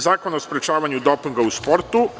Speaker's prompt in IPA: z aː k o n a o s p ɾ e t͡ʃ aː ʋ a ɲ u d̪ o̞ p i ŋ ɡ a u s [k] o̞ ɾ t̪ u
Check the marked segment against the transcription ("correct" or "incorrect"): incorrect